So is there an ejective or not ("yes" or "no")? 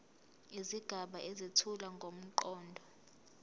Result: no